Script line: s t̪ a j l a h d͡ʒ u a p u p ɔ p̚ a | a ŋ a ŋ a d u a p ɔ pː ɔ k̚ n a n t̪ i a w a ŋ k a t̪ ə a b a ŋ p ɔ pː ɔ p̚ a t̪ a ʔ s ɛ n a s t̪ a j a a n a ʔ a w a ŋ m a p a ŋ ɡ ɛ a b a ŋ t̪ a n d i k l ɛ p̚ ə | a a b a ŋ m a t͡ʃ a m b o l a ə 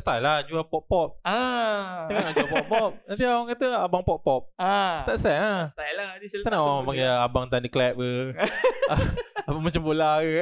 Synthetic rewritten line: s t̪ a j l a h d͡ʒ u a p ɔ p ɔ p̚ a | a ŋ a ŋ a d͡ʒ u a p ɔ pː ɔ p̚ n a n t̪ i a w a ŋ k a t̪ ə a b a ŋ p ɔ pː ɔ p̚ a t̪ a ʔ s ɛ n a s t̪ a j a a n a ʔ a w a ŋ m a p a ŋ ɡ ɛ a b a ŋ t̪ a n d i k l ɛ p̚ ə | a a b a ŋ m a t͡ʃ a m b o l a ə